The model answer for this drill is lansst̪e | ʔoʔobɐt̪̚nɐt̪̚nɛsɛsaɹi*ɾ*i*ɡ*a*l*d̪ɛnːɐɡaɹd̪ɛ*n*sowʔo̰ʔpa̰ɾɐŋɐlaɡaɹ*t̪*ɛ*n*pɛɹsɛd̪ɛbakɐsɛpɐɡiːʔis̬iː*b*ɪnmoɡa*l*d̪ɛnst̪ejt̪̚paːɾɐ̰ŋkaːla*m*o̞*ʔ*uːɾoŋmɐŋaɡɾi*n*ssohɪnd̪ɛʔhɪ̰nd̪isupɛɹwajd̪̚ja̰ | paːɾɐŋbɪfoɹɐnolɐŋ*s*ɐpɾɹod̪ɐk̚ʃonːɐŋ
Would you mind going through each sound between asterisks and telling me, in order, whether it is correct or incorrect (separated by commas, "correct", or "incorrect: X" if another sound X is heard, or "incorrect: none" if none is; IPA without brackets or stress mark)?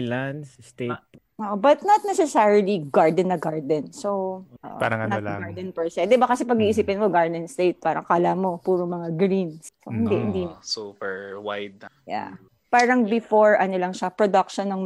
incorrect: l, correct, incorrect: ɹ, correct, incorrect: d̪, correct, incorrect: p, incorrect: ɹ, correct, incorrect: p, correct, incorrect: ʃ